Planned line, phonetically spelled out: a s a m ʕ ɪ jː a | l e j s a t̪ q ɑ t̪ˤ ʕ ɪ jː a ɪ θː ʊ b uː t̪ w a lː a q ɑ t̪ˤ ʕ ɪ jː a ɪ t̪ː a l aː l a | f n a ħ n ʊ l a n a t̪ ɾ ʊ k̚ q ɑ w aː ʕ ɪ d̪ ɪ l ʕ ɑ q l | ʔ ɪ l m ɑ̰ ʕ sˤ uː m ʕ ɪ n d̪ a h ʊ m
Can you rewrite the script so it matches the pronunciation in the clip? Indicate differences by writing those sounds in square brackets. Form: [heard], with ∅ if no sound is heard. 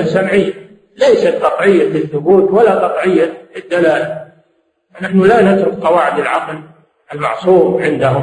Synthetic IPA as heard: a s a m ʕ ɪ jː a | l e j s a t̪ q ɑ t̪ˤ ʕ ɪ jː a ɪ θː ʊ b uː t̪ w a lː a q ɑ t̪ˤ ʕ ɪ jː a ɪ [d̪ː] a l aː l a | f n a ħ n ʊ l a n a t̪ ɾ ʊ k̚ q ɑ w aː ʕ ɪ d̪ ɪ l ʕ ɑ q l | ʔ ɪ l m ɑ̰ ʕ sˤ uː m ʕ ɪ n d̪ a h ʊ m